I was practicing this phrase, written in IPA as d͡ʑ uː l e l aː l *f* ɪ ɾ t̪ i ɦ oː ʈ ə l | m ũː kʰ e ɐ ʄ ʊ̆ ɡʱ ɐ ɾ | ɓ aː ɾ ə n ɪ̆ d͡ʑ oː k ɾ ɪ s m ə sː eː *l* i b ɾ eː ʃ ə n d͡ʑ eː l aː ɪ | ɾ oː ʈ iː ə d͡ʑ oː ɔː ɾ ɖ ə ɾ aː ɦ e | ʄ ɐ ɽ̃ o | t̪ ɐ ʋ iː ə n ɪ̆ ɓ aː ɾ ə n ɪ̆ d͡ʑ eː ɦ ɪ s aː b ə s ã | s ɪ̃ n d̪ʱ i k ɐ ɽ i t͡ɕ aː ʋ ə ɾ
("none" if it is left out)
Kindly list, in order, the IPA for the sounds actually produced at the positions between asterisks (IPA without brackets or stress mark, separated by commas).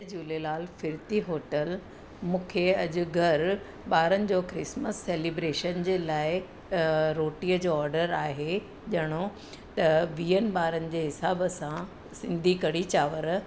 f, l